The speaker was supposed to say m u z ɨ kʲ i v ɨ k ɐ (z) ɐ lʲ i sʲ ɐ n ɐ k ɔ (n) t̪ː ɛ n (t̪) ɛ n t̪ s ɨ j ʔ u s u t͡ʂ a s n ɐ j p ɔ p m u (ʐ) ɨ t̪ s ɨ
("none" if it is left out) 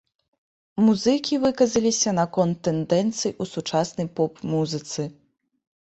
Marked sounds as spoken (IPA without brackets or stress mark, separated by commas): z, n, d̪, z